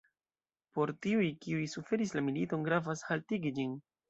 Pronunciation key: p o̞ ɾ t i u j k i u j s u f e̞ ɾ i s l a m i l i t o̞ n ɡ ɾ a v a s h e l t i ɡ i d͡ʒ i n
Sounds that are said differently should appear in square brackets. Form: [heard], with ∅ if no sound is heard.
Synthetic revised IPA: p o̞ ɾ t i u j k i u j s u f e̞ ɾ i s l a m i l i t o̞ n ɡ ɾ a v a s h [a] l t i ɡ i d͡ʒ i n